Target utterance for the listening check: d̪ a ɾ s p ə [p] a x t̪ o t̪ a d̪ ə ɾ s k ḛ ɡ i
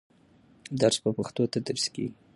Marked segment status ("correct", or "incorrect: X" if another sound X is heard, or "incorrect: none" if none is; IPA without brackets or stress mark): correct